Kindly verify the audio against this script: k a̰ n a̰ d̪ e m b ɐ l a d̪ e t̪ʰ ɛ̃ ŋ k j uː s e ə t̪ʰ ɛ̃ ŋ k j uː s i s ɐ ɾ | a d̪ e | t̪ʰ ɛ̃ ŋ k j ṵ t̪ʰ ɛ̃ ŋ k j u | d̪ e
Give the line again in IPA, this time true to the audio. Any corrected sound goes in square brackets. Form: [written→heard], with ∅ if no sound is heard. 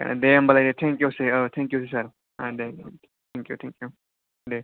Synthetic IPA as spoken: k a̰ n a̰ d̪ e m b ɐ l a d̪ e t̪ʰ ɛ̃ ŋ k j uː s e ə t̪ʰ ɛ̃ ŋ k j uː s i s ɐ ɾ | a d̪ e | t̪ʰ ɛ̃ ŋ k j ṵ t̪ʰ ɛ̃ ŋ k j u | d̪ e